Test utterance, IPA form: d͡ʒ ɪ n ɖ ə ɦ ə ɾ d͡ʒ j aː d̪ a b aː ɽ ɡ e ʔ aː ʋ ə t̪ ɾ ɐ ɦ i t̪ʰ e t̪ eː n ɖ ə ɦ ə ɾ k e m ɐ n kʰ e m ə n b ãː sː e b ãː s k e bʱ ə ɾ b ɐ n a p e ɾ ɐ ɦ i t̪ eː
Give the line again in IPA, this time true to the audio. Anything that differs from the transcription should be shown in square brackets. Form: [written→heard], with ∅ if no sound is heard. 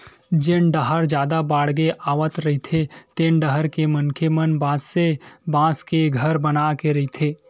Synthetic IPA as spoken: d͡ʒ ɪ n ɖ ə ɦ ə ɾ d͡ʒ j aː d̪ a b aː ɽ ɡ e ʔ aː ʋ ə t̪ ɾ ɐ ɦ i t̪ʰ e t̪ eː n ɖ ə ɦ ə ɾ k e m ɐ n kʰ e m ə n b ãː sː e b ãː s k e [bʱ→ɡʱ] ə ɾ b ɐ n a [p→k] e ɾ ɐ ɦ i [t̪→t̪ʰ] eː